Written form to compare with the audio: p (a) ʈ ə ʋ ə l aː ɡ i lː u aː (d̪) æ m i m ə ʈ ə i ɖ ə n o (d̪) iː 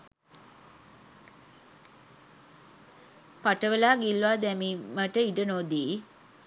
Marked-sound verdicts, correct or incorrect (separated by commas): correct, correct, correct